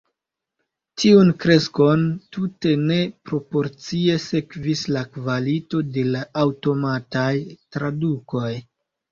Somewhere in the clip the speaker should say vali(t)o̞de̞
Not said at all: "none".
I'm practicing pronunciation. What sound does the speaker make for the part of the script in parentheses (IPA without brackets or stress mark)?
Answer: t